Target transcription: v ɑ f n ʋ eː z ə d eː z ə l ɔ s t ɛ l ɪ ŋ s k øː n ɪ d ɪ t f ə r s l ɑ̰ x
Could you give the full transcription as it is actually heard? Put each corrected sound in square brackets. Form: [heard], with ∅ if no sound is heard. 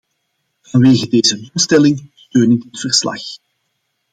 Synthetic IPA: v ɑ [∅] n ʋ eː [ɣ] ə d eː z ə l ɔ s t ɛ l ɪ ŋ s [t] øː n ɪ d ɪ t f ə r s l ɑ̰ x